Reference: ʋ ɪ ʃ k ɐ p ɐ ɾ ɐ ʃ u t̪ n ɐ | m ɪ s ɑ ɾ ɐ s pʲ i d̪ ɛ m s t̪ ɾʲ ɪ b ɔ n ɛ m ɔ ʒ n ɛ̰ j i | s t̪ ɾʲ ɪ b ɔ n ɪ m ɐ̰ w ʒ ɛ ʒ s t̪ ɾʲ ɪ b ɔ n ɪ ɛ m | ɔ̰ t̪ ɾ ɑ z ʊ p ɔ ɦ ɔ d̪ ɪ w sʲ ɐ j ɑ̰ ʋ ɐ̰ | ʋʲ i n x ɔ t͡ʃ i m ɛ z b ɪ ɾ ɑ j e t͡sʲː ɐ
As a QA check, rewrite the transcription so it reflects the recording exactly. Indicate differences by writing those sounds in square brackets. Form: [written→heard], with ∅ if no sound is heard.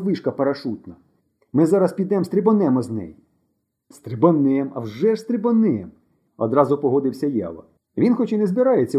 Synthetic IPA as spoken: ʋ ɪ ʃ k ɐ p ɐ ɾ ɐ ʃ u t̪ n ɐ | m ɪ [s→z] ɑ ɾ ɐ s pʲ i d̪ ɛ m s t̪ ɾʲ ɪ b ɔ n ɛ m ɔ [ʒ→z] n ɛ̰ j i | s t̪ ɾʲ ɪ b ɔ n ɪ m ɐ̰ w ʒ ɛ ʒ s t̪ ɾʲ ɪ b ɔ n ɪ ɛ m | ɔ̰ [t̪→d̪] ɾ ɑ z ʊ p ɔ ɦ ɔ d̪ ɪ w sʲ ɐ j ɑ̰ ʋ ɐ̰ | ʋʲ i n x ɔ t͡ʃ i [m→n] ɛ z b ɪ ɾ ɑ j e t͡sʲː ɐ